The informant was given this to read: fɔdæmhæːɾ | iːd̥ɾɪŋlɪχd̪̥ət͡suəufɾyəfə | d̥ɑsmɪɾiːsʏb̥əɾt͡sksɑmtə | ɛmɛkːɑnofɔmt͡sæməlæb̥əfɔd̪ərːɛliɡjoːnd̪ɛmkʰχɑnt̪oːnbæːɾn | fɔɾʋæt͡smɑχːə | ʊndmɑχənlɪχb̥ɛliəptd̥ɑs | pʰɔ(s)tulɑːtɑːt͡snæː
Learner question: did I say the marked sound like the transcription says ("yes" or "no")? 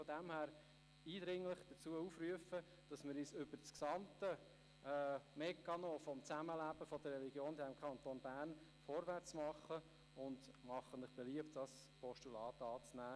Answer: no